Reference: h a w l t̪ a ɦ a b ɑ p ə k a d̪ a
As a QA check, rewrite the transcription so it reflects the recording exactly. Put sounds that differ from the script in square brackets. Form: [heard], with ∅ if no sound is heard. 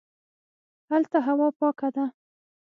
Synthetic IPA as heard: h a [∅] l t̪ a ɦ a [w] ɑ p [ɑ] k a d̪ a